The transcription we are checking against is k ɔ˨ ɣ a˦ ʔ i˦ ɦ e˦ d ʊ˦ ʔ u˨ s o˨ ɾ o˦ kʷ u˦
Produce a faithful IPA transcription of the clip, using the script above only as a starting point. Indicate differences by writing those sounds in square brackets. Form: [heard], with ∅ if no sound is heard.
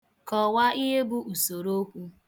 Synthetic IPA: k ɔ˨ [w] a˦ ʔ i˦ ɦ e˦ [b] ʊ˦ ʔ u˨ s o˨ ɾ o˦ kʷ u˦